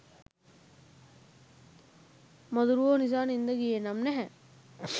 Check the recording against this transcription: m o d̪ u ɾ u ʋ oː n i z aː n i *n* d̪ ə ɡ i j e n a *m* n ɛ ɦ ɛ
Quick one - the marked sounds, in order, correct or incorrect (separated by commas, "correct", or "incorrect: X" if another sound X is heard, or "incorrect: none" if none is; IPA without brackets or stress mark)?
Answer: correct, correct